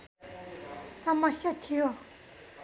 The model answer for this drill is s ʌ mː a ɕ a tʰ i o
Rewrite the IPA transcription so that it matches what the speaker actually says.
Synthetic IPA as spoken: s a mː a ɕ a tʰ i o